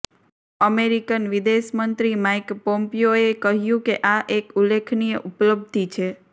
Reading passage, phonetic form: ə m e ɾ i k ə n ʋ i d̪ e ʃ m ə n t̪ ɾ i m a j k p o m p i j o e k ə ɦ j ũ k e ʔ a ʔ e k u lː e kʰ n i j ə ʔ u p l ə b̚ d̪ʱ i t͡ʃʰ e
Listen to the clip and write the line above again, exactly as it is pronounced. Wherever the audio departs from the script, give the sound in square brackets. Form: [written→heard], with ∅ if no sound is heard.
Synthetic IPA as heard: ə m e ɾ i k ə n ʋ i d̪ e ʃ m ə n t̪ ɾ i m a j k p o m p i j o e k ə ɦ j ũ k e ʔ a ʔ e k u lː e kʰ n i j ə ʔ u p l ə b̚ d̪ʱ i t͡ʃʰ e

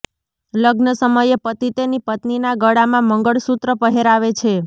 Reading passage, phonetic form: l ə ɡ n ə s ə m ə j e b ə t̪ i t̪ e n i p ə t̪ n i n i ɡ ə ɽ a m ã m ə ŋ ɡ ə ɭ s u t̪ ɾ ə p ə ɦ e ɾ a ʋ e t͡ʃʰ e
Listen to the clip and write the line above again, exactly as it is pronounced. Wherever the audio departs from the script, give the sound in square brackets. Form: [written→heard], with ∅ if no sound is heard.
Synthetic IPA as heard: l ə ɡ n ə s ə m ə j e [b→p] ə t̪ i t̪ e n i p ə t̪ n i n [i→a] ɡ ə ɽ a m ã m ə ŋ ɡ ə ɭ s u t̪ ɾ ə p ə ɦ e ɾ a ʋ e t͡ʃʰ e

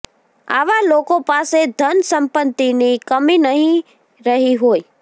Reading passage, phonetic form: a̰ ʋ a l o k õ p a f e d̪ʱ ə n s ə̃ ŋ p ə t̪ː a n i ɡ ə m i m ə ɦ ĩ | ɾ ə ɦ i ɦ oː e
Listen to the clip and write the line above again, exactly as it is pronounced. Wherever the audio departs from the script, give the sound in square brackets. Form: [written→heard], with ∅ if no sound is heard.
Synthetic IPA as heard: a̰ ʋ a l o k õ p a [f→s] e d̪ʱ ə n s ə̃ [ŋ→m] p ə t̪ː [a→i] n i [ɡ→k] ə m i [m→n] ə ɦ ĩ | ɾ ə ɦ i ɦ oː [e→i]

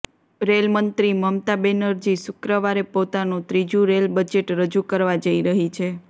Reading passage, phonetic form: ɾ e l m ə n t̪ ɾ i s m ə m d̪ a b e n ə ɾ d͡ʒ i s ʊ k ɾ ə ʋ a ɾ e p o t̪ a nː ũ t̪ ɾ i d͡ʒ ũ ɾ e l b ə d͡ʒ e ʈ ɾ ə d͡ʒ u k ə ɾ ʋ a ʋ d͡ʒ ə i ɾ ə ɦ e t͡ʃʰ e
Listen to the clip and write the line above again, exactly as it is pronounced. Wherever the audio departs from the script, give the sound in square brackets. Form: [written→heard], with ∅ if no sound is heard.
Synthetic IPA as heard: ɾ e l m ə n t̪ ɾ i [s→∅] m ə m [d̪→t̪] a b e n ə ɾ d͡ʒ i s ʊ k ɾ ə ʋ a ɾ e p o t̪ a [nː→n] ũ t̪ ɾ i d͡ʒ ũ ɾ e l b ə d͡ʒ e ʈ ɾ ə d͡ʒ u k ə ɾ ʋ a [ʋ→∅] d͡ʒ ə i ɾ ə ɦ [e→i] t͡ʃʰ e

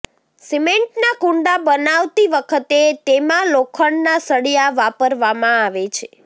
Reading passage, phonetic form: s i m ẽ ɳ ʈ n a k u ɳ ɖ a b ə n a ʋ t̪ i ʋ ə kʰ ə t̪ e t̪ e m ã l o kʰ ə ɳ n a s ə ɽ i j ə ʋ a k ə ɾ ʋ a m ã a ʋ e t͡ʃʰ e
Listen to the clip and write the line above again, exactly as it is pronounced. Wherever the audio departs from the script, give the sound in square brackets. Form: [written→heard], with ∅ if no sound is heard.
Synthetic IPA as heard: s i m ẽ ɳ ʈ n a k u ɳ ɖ a b ə n a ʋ t̪ i ʋ ə kʰ ə t̪ e t̪ e m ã l o kʰ ə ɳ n a s ə ɽ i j [ə→a] ʋ a [k→p] ə ɾ ʋ a m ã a ʋ e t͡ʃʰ e

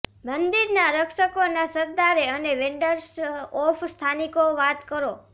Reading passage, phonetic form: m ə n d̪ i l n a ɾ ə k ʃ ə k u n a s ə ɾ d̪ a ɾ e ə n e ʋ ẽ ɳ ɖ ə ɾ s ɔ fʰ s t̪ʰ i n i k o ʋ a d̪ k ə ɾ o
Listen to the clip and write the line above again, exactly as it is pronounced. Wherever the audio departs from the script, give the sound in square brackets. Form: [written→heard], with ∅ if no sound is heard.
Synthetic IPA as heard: m ə n d̪ i [l→ɾ] n a ɾ ə k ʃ ə k [u→o] n a s ə ɾ d̪ a ɾ e ə n e ʋ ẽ ɳ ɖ ə ɾ s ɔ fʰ s t̪ʰ [i→a] n i k o ʋ a [d̪→t̪] k ə ɾ o

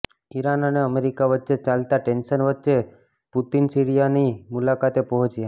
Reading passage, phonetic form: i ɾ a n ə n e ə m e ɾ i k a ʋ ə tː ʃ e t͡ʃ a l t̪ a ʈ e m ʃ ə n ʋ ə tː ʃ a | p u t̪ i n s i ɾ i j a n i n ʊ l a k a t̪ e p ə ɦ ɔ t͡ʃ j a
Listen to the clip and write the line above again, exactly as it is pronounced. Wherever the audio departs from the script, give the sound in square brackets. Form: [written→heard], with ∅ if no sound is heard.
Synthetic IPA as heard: i ɾ a n ə n e ə m e ɾ i k a ʋ ə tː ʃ e t͡ʃ a l t̪ a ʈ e [m→n] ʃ ə n ʋ ə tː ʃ [a→e] | p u t̪ i n s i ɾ i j a n i [n→m] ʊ l a k a t̪ e p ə ɦ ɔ t͡ʃ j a

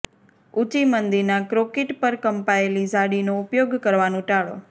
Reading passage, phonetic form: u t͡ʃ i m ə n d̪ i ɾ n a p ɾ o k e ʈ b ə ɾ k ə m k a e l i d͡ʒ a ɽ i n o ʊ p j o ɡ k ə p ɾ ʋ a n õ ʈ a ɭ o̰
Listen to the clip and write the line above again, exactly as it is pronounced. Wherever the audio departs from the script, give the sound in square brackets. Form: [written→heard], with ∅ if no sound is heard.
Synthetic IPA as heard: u t͡ʃ i m ə n d̪ i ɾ n a [p→k] ɾ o k e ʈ [b→p] ə ɾ k ə m [k→p] a e l i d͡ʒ a ɽ i n o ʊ p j o ɡ k ə [p→∅] ɾ ʋ a n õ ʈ a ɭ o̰

